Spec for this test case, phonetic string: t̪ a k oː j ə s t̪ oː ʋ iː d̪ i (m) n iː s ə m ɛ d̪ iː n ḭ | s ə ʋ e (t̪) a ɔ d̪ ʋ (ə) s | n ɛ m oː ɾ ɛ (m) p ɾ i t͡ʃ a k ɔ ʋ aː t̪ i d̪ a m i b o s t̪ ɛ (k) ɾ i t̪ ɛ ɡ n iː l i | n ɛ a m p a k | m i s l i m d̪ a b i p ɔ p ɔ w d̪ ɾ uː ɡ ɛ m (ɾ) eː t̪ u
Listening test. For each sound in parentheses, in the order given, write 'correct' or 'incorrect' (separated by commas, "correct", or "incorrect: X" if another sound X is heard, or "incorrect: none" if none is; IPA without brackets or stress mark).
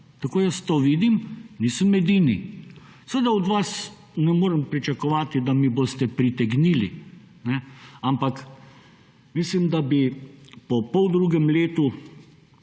correct, incorrect: d̪, incorrect: a, correct, incorrect: p, incorrect: l